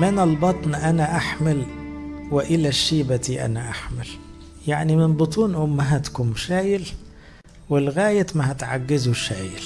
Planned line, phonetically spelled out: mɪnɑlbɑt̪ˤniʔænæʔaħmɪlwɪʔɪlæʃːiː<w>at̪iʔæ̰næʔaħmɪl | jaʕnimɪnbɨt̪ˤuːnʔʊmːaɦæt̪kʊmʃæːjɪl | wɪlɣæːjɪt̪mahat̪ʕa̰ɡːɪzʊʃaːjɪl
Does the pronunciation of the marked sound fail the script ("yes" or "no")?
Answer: yes